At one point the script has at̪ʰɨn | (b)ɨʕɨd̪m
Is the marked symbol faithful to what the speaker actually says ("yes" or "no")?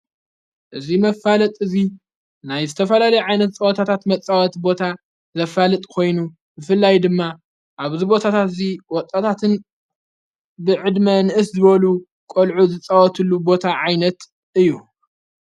yes